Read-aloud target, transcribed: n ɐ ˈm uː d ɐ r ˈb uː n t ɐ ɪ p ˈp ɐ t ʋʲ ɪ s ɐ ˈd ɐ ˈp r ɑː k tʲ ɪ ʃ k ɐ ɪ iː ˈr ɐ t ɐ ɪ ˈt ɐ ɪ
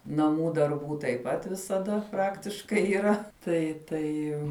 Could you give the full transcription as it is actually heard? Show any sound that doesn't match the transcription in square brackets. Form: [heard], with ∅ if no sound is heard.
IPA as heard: n ɐ ˈm uː d ɐ r ˈb uː [∅] t ɐ ɪ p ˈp ɐ t ʋʲ ɪ s ɐ ˈd ɐ ˈp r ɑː k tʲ ɪ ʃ k ɐ ɪ iː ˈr ɐ t ɐ ɪ ˈt ɐ ɪ